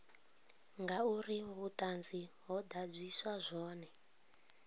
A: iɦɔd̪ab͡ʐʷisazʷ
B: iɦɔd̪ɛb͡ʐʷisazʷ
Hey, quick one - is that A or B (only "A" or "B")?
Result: A